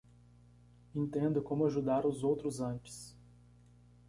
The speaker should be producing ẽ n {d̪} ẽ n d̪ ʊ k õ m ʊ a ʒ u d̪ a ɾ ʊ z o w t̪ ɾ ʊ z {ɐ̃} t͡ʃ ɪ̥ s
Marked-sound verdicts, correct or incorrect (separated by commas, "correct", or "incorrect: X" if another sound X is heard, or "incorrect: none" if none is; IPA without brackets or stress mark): incorrect: t̪, correct